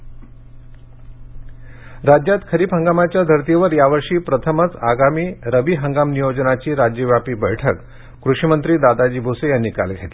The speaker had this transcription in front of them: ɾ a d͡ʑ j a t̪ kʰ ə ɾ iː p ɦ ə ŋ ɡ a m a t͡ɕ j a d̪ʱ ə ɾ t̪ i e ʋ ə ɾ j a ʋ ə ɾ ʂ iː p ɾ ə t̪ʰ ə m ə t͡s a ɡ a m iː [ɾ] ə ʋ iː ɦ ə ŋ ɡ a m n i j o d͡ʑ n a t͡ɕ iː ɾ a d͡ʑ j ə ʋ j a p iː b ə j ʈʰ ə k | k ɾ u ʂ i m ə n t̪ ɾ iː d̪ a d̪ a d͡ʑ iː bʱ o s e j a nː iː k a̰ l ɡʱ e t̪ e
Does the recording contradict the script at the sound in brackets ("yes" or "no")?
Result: no